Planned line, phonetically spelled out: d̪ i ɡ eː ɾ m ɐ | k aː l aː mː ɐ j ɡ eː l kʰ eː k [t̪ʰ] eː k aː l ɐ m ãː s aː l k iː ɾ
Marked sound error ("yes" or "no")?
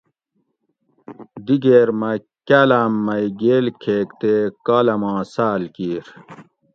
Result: yes